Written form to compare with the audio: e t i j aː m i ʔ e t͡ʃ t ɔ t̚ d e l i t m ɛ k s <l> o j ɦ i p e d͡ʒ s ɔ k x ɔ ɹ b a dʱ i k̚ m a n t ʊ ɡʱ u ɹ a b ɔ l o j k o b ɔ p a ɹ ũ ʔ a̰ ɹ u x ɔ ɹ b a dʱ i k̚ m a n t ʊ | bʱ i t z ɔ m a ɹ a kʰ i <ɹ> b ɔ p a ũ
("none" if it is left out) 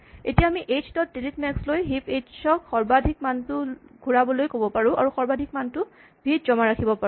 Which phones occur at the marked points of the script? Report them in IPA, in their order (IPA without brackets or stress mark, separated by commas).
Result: l, none